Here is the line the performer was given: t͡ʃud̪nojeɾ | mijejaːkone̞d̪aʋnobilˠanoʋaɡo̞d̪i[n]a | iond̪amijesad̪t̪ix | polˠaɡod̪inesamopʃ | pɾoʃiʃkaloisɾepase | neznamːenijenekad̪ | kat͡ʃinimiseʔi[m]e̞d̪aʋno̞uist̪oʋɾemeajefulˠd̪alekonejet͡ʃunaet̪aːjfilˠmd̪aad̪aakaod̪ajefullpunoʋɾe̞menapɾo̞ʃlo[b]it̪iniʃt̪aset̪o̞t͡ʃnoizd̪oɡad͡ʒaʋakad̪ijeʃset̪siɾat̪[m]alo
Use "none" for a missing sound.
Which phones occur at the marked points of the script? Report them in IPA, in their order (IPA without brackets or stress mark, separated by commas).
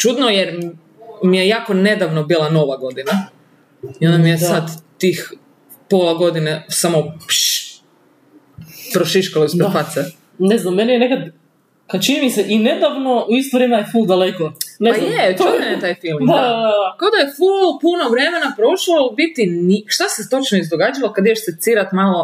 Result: n, n, b, m